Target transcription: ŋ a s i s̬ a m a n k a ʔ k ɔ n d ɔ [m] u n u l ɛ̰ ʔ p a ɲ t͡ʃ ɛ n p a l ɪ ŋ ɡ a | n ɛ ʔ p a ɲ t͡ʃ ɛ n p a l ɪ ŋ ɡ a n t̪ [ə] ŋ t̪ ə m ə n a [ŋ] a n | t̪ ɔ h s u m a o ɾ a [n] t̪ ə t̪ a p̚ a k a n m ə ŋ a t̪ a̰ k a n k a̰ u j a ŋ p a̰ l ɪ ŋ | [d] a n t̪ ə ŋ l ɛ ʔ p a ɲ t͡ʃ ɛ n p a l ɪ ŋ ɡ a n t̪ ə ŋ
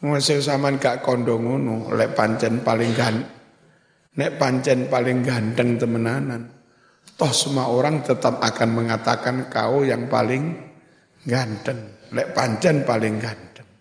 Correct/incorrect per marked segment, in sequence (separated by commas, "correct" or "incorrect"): incorrect, correct, incorrect, incorrect, incorrect